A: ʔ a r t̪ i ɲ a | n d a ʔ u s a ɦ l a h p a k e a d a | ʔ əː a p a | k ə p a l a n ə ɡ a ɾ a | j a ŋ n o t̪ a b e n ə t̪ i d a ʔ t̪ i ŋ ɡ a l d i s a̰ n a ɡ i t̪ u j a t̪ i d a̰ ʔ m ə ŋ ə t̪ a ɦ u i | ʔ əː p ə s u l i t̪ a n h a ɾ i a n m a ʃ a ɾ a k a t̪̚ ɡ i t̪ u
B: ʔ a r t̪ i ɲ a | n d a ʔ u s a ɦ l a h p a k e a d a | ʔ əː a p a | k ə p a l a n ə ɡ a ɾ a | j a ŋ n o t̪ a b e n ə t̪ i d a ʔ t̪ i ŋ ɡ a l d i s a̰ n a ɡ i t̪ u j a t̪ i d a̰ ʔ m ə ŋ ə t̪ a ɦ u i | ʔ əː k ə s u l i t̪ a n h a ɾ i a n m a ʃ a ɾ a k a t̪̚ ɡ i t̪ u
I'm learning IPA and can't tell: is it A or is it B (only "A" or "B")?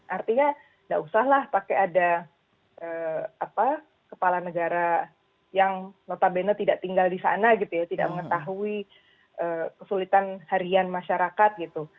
B